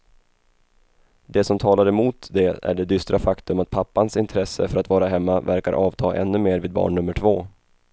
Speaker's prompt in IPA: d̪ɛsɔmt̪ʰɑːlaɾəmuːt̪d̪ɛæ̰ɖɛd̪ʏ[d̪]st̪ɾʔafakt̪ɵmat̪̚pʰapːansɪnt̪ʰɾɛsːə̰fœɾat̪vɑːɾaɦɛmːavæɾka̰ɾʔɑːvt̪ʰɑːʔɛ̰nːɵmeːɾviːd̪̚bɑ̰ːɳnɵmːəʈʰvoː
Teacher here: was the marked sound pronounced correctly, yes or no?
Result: no